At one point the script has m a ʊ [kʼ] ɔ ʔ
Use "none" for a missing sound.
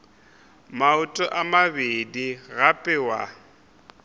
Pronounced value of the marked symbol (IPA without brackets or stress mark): tʼ